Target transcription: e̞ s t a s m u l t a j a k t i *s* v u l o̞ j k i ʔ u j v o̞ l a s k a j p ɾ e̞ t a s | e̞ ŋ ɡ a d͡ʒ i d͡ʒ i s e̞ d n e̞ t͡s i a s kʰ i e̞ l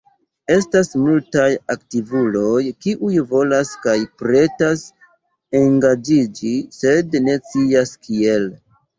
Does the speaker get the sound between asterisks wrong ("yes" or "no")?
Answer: yes